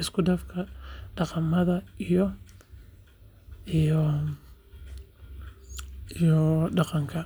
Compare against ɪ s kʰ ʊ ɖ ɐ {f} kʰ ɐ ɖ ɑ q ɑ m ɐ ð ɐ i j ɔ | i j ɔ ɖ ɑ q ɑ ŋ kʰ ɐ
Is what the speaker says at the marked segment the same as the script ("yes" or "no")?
yes